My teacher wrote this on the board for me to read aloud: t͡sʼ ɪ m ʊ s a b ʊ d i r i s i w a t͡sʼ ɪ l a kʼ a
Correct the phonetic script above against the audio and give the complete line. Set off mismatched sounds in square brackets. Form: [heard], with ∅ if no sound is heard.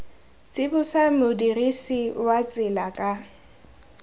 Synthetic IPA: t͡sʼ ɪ [b] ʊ s a [m] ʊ d i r i s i w a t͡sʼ ɪ l a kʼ a